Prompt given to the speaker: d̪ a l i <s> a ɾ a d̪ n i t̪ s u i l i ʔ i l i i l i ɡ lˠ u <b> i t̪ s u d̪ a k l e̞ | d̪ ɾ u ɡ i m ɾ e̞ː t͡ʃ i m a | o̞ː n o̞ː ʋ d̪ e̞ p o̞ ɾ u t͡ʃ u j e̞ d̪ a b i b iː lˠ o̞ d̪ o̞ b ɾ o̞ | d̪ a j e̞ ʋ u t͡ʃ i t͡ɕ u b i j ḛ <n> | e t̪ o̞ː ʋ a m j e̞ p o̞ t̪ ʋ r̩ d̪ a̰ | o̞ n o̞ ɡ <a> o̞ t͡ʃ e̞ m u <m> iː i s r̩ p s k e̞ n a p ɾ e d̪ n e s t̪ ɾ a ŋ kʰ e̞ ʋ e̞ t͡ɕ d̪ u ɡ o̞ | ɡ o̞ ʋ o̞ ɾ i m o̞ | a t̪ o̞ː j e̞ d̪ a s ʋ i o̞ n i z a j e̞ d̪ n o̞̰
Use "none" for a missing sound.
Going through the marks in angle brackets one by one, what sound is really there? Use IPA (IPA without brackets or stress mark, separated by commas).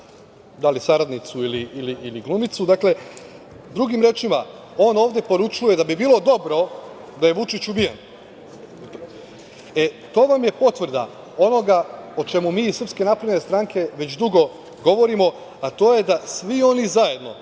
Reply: s, m, n, a, m